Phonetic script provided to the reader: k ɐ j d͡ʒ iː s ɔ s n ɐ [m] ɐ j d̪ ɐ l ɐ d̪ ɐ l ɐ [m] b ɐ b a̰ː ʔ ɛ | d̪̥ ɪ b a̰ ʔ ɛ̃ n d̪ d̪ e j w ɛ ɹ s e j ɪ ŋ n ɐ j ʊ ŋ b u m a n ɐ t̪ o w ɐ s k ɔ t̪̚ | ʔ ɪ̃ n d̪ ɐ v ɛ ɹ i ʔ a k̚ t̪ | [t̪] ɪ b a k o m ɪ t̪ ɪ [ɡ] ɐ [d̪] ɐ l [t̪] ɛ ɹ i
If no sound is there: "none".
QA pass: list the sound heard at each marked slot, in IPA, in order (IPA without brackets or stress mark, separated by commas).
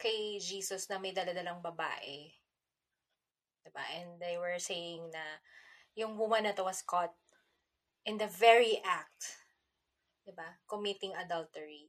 m, ŋ, d̪, ŋ, d̪, t̪